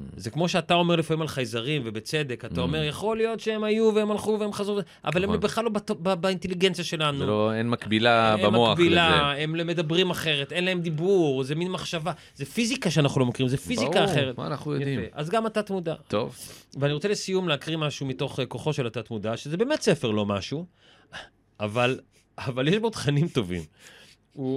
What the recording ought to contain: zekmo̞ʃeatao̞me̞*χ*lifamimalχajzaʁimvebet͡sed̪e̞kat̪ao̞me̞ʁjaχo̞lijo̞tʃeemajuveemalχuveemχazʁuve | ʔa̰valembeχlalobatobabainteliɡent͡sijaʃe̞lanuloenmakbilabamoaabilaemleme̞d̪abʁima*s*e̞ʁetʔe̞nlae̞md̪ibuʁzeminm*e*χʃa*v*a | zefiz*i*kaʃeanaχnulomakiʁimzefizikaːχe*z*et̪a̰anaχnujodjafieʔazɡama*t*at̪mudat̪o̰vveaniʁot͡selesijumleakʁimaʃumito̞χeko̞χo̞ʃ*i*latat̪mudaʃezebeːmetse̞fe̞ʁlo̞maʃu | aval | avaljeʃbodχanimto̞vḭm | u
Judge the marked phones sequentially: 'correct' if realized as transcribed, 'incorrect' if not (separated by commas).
incorrect, incorrect, incorrect, correct, correct, incorrect, correct, incorrect